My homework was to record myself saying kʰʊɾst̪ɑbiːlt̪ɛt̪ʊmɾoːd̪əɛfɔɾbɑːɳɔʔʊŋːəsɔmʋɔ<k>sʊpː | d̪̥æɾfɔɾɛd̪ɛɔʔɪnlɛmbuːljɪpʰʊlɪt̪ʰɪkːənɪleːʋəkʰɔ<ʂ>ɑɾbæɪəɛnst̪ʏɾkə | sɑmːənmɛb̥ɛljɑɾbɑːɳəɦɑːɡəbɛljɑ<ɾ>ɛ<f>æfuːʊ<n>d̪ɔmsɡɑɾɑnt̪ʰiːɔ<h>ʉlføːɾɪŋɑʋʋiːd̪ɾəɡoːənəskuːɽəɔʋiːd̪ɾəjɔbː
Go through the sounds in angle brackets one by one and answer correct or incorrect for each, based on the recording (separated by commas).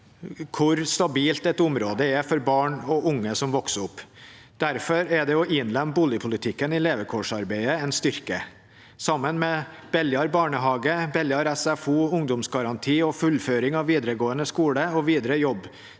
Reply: correct, correct, correct, incorrect, incorrect, incorrect